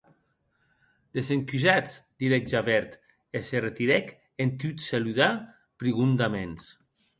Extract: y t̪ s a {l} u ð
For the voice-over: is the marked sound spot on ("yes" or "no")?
yes